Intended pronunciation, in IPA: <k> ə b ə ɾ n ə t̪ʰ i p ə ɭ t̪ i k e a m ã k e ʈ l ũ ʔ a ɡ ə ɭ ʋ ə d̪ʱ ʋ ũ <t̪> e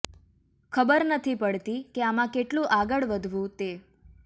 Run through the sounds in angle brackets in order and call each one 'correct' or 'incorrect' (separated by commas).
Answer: incorrect, correct